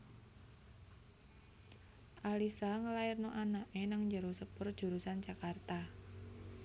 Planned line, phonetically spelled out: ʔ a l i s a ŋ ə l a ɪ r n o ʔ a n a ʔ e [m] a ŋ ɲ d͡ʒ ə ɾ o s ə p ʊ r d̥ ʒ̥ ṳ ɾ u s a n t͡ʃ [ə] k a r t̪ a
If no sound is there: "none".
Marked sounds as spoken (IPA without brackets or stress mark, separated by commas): n, a